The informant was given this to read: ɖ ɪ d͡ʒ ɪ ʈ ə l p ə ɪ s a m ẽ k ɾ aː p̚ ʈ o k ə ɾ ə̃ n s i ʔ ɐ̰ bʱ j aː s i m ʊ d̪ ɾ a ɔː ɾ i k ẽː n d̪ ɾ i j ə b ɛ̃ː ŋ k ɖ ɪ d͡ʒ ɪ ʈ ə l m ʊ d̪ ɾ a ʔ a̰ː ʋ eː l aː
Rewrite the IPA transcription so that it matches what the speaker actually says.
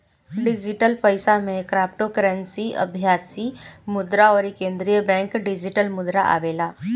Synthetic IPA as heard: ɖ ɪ d͡ʒ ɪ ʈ ə l p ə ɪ s a m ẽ k ɾ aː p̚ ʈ o k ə ɾ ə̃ n s i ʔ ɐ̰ bʱ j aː s i m ʊ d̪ ɾ a ɔː ɾ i k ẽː n d̪ ɾ i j ə b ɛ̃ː ŋ k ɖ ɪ d͡ʒ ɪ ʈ ə l m ʊ d̪ ɾ a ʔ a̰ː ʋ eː l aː

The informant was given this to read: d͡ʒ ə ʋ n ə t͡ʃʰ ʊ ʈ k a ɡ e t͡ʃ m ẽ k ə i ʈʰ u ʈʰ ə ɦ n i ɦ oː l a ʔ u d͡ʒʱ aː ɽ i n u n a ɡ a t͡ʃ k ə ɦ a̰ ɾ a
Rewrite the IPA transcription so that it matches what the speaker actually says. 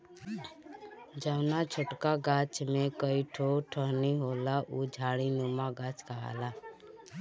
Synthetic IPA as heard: d͡ʒ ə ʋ n a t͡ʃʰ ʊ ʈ k a ɡ a t͡ʃ m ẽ k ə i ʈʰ o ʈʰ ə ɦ n i ɦ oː l a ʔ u d͡ʒʱ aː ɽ i n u m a ɡ a t͡ʃ k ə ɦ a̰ l a

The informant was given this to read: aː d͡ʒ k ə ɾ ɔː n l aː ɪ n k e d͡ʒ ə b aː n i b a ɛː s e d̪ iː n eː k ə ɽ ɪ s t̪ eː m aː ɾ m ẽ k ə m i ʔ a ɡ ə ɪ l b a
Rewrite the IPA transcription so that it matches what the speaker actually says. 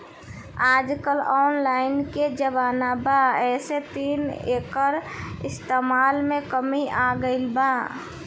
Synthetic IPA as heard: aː d͡ʒ k ə l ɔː n l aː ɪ n k e d͡ʒ ə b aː n a b a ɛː s e t̪ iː n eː k ə ɾ ɪ s t̪ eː m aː l m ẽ k ə m i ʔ a ɡ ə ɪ l b a

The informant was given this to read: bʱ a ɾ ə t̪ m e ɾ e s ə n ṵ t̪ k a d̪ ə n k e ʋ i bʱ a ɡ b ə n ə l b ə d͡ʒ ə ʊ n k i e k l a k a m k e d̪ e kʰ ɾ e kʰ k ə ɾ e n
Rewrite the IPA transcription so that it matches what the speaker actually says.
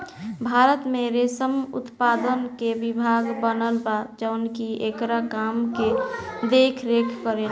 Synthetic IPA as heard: bʱ a ɾ ə t̪ m e ɾ e s ə m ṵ t̪ p a d̪ ə n k e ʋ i bʱ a ɡ b ə n ə l b a d͡ʒ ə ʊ n k i e k ɾ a k a m k e d̪ e kʰ ɾ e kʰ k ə ɾ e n

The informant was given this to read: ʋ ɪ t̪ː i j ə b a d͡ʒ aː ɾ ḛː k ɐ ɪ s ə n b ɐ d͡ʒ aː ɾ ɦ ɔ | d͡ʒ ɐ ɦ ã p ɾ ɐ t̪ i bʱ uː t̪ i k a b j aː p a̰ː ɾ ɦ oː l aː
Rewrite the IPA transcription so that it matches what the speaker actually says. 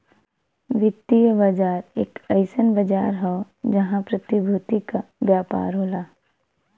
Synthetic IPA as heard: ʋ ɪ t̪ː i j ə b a d͡ʒ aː ɾ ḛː k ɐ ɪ s ə n b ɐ d͡ʒ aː ɾ ɦ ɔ | d͡ʒ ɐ ɦ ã p ɾ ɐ t̪ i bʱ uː t̪ i k a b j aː p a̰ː ɾ ɦ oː l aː

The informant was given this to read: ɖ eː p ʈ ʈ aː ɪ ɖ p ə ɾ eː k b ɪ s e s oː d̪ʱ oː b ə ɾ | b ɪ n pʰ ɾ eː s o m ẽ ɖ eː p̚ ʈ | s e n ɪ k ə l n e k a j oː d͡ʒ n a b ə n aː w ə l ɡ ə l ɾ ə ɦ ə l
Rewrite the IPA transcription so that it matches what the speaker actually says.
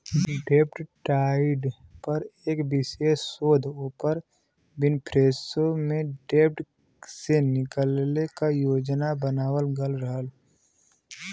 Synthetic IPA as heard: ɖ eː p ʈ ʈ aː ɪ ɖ p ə ɾ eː k b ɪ s e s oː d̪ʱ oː p ə ɾ | b ɪ n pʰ ɾ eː s o m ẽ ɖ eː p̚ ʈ | s e n ɪ k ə l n e k a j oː d͡ʒ n a b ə n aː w ə l ɡ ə l ɾ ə ɦ ə l

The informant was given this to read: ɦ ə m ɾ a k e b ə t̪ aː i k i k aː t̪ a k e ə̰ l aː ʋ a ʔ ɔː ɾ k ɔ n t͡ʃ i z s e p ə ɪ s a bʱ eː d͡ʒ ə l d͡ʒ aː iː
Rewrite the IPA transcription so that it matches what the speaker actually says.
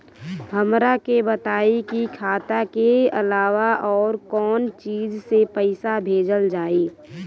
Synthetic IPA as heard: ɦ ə m ɾ a k e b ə t̪ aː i k i kʰ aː t̪ a k e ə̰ l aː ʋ a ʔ ɔː ɾ k ɔː n t͡ʃ iː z s e p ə ɪ s a bʱ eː d͡ʒ ə l d͡ʒ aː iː

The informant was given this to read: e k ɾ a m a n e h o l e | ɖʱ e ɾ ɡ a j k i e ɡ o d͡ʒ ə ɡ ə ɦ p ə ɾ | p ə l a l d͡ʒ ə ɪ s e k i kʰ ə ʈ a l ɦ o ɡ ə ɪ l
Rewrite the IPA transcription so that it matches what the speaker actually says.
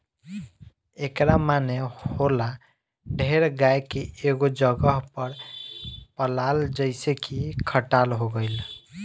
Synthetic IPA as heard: e k ɾ a m a n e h o l a | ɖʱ e ɾ ɡ a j k e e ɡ o d͡ʒ ə ɡ ə ɦ p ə ɾ | p ə l a l d͡ʒ ə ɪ s e k i kʰ ə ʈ a l ɦ o ɡ ə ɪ l

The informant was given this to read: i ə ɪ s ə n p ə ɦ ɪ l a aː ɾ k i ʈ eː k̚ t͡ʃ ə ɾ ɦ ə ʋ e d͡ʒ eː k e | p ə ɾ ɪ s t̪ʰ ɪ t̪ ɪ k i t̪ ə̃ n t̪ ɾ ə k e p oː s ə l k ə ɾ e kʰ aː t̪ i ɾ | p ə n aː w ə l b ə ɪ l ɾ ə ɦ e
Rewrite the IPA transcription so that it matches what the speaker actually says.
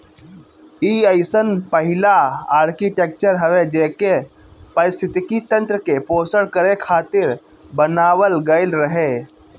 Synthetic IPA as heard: i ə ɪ s ə n p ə ɦ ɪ l a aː ɾ k i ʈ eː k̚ t͡ʃ ə ɾ ɦ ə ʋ e d͡ʒ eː k e | p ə ɾ ɪ s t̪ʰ ɪ t̪ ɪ k i t̪ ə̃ n t̪ ɾ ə k e p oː s ə ɽ k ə ɾ e kʰ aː t̪ ɪ ɾ | b ə n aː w ə l ɡ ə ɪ l ɾ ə ɦ e

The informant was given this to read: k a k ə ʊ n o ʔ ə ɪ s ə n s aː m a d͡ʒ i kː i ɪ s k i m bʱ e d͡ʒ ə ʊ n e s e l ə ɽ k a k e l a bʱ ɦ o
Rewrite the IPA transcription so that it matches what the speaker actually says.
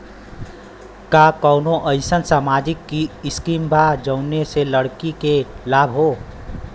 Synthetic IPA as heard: k a k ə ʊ n o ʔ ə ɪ s ə n s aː m a d͡ʒ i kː i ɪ s k i m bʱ a d͡ʒ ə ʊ n e s e l ə ɽ k i k e l a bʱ ɦ o

